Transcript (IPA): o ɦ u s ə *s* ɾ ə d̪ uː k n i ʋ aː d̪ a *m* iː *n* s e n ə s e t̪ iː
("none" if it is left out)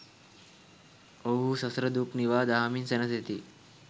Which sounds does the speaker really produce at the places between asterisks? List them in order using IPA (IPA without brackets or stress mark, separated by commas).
s, m, n